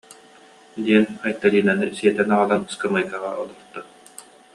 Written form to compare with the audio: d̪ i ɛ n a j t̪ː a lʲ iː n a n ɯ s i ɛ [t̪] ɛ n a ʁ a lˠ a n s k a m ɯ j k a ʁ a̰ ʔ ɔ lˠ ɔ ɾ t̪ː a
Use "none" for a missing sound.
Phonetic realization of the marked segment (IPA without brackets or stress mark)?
t̪